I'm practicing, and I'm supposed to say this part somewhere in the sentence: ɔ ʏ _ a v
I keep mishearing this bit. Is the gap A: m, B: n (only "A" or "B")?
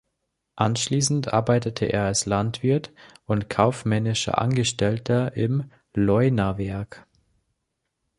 B